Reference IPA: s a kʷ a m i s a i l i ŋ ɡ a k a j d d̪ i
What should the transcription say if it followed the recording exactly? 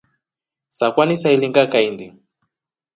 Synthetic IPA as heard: s a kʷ a n i s a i l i ŋ ɡ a k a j n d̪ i